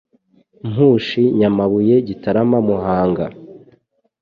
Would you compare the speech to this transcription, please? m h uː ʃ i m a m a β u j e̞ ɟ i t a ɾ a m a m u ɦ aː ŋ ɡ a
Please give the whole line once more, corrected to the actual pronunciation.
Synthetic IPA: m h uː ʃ i ɲ a m a β u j e̞ ɟ i t a ɾ a m a m u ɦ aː ŋ ɡ a